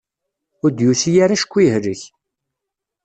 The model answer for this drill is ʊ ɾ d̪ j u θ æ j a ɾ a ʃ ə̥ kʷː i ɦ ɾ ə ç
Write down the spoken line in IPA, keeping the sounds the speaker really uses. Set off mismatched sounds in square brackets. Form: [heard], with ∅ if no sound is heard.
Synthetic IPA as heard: ʊ ɾ d̪ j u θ [i] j a ɾ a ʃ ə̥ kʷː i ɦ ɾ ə ç